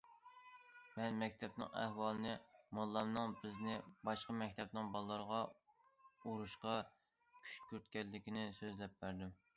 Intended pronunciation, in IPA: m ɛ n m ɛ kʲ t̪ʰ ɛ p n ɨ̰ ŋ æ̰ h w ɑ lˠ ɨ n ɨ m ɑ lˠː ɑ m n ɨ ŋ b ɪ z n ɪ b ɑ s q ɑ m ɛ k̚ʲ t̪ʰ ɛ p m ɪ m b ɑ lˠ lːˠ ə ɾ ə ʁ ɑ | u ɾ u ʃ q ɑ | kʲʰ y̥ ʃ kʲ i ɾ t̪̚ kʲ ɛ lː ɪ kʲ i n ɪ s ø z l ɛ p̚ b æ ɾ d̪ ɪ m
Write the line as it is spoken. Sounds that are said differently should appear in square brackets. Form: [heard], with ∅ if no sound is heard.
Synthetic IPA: m ɛ n m ɛ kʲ t̪ʰ ɛ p n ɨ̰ ŋ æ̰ h w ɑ lˠ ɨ n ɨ m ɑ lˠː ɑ m n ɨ ŋ b ɪ z n ɪ b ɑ [ʃ] q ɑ m ɛ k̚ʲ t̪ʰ ɛ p [n] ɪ [ŋ] b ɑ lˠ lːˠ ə ɾ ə ʁ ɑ | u ɾ u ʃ q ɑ | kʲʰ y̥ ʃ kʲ [y] ɾ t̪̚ kʲ ɛ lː ɪ kʲ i n ɪ s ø z l ɛ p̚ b æ ɾ d̪ ɪ m